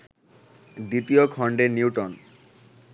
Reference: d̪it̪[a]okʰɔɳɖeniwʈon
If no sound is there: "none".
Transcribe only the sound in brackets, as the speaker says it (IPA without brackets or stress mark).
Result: i